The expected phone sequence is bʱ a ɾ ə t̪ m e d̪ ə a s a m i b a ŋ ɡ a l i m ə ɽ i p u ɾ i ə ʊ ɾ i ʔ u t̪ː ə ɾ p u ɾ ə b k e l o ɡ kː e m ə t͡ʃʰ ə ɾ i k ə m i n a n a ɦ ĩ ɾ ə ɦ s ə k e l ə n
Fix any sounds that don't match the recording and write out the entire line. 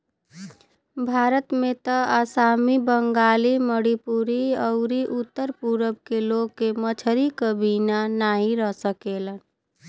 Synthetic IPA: bʱ a ɾ ə t̪ m e t̪ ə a s a m i b ə ŋ ɡ a l i m ə ɽ i p u ɾ i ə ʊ ɾ i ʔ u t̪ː ə ɾ p u ɾ ə b k e l o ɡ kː e m ə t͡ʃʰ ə ɾ i k ə b i n a n a ɦ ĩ ɾ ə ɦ s ə k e l ə n